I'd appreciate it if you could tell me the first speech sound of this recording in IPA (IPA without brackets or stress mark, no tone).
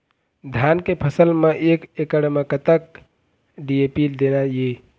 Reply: d̪ʱ